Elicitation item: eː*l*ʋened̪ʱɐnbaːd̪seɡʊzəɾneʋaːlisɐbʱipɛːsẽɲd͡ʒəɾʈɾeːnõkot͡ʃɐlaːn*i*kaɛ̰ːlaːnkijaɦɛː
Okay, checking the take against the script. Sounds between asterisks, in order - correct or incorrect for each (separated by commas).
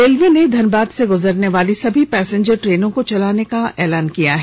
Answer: correct, incorrect